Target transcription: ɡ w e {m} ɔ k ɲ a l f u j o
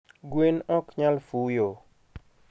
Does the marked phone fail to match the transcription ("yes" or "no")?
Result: yes